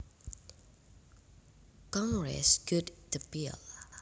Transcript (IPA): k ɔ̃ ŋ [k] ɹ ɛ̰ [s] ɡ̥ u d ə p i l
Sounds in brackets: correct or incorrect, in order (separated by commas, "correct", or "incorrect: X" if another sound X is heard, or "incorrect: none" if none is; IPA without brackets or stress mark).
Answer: incorrect: ɡ, correct